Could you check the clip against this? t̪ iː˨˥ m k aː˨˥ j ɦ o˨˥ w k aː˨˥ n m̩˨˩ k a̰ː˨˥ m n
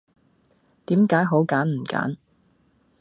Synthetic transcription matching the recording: t̪ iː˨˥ m k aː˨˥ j ɦ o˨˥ w k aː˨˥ n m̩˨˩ k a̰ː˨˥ n

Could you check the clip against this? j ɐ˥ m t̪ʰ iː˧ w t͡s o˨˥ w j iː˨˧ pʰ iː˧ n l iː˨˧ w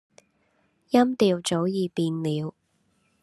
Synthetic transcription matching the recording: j ɐ˥ m t̪ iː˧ w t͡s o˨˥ w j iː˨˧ p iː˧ n l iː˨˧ w

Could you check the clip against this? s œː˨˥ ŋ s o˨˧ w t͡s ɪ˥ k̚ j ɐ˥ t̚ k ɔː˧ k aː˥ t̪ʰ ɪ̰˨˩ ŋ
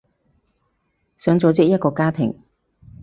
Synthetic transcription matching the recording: s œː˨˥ ŋ t͡s o˨˧ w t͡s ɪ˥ k̚ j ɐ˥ t̚ k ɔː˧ k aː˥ t̪ʰ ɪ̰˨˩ ŋ

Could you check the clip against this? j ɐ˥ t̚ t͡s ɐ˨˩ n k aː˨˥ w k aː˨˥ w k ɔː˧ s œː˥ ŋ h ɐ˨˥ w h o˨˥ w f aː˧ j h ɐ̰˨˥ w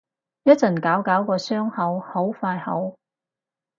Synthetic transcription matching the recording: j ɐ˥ t̚ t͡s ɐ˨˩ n k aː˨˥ w k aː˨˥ w k ɔː˧ s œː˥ ŋ h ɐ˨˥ w h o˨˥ w f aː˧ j h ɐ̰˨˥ w

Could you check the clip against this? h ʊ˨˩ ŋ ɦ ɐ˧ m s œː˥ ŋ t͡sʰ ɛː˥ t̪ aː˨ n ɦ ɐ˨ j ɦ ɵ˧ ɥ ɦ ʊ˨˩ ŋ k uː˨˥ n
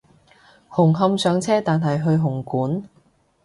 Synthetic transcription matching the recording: h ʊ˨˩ ŋ ɦ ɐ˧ m s œː˨˧ ŋ t͡sʰ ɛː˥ t̪ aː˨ n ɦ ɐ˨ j ɦ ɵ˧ ɥ ɦ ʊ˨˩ ŋ k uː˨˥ n

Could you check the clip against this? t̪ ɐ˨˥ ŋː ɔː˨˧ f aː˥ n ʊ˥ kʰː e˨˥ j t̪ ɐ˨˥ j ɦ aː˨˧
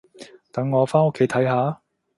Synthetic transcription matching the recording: t̪ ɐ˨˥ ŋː ɔː˨˧ f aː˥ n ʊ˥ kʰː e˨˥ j t̪ʰ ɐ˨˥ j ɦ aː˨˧

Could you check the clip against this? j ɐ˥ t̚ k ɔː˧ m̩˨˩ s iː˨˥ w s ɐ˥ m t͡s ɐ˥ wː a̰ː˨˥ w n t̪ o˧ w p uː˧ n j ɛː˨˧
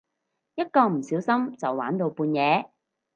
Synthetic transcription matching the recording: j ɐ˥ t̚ k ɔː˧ m̩˨˩ s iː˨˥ w s ɐ˥ m t͡s ɐ˨ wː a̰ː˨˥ n t̪ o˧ w p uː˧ n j ɛː˨˧

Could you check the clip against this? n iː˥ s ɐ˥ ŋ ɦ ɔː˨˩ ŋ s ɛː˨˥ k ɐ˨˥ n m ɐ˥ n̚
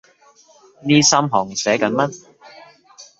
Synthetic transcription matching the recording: n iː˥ s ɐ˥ m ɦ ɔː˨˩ ŋ s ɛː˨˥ k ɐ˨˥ n m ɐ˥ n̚

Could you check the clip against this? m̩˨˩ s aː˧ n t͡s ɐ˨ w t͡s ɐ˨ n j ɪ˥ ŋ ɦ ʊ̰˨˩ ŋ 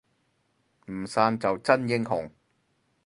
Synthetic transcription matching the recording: m̩˨˩ s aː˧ n t͡s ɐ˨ w t͡s ɐ˥ n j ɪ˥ ŋ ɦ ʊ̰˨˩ ŋ

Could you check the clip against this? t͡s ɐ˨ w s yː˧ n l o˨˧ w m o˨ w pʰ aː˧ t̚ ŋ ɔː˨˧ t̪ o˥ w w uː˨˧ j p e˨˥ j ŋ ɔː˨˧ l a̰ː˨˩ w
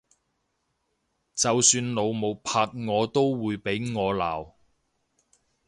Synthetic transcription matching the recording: t͡s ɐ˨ w s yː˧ n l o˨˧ w m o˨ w pʰ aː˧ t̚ ŋ ɔː˨˧ t̪ o˥ w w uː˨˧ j p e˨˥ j ŋ ɔː˨˧ l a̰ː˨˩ w

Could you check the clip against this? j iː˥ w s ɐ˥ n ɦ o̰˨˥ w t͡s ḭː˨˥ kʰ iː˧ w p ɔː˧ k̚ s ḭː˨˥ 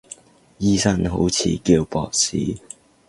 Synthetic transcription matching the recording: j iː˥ s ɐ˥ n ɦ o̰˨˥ w t͡sʰ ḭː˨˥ k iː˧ w p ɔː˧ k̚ s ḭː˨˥

